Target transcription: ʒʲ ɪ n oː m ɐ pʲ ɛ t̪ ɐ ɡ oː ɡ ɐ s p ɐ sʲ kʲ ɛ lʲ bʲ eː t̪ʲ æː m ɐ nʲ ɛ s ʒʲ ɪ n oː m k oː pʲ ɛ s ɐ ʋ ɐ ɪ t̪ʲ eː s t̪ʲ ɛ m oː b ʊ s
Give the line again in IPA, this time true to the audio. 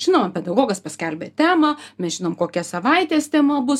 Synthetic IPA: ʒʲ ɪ n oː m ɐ pʲ ɛ d̪ ɐ ɡ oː ɡ ɐ s p ɐ sʲ kʲ ɛ lʲ bʲ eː t̪ʲ æː m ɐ mʲ ɛ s ʒʲ ɪ n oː m k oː kʲ ɛ s ɐ ʋ ɐ ɪ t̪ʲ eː s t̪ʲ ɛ m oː b ʊ s